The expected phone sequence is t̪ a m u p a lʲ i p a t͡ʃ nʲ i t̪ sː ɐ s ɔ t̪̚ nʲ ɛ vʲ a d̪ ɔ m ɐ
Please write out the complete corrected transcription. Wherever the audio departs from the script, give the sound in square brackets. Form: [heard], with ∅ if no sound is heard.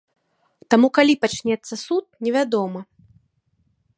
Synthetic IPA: t̪ a m u [k] a lʲ i p a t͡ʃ nʲ [ɛ] t̪ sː ɐ s [u] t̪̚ nʲ ɛ vʲ a d̪ ɔ m ɐ